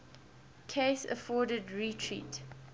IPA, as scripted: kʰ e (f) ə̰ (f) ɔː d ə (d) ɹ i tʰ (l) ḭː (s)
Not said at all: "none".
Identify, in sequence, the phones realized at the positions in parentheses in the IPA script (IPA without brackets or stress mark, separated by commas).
s, f, d, ɹ, t